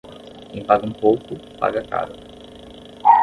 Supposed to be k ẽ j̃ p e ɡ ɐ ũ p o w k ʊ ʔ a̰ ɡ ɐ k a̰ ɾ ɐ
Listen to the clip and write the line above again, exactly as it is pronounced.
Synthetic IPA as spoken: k ẽ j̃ p a ɡ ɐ ũ p o w k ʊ p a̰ ɡ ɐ k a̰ ɾ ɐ